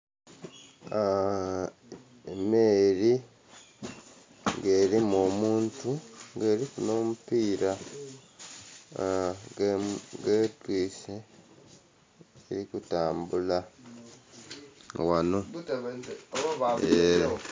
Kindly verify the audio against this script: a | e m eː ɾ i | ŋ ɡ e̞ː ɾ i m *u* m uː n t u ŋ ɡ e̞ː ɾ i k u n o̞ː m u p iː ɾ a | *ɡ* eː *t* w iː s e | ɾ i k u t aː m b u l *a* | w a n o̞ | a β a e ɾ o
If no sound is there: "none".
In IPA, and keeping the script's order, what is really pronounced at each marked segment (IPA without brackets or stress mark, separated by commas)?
o, ɡ, t, a